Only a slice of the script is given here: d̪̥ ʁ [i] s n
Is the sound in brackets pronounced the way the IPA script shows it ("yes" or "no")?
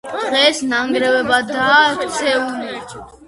no